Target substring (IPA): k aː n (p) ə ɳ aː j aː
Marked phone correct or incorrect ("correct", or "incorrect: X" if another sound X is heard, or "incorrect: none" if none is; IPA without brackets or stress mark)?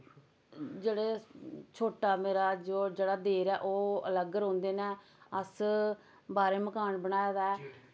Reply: incorrect: b